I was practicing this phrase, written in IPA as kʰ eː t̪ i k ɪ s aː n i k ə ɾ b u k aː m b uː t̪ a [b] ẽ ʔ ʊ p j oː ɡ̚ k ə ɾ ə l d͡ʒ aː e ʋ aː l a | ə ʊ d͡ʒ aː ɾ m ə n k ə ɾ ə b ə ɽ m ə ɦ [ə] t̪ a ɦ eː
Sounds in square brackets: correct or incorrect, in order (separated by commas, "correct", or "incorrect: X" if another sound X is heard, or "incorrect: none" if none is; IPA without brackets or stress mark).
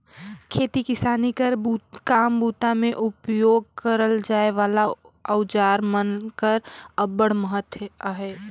incorrect: m, correct